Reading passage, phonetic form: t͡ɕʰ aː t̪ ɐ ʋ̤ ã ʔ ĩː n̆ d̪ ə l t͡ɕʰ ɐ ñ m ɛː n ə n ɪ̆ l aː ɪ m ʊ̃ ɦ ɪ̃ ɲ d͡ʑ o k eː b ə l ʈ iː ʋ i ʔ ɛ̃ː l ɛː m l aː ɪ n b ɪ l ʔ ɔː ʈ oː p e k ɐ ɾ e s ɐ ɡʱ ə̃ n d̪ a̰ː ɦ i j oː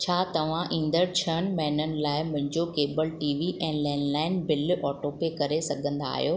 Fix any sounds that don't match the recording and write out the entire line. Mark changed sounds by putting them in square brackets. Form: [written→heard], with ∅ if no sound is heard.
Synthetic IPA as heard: t͡ɕʰ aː t̪ ɐ ʋ̤ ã ʔ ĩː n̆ d̪ ə [l→ɾ] t͡ɕʰ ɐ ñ m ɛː n ə n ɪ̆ l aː ɪ m ʊ̃ ɦ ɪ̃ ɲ d͡ʑ o k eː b ə l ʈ iː ʋ i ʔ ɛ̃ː l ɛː [m→n] l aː ɪ n b ɪ l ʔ ɔː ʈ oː p e k ɐ ɾ e s ɐ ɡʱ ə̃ n d̪ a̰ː ɦ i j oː